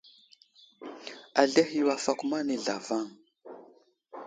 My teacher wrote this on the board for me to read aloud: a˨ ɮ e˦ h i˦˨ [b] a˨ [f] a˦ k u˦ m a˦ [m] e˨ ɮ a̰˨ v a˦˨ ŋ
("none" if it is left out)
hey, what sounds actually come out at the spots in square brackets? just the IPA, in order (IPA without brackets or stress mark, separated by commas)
w, f, n